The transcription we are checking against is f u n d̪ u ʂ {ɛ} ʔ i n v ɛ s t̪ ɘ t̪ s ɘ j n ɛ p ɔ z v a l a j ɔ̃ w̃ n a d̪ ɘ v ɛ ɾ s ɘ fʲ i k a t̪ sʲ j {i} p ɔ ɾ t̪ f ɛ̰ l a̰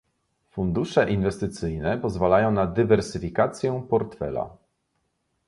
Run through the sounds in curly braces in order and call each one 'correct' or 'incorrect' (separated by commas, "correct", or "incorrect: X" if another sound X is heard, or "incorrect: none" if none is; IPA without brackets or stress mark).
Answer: correct, incorrect: ɛ